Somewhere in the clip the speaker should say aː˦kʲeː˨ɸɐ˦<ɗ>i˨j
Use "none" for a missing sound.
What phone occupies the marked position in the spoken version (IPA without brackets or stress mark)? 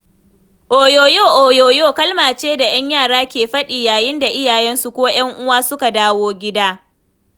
ɗ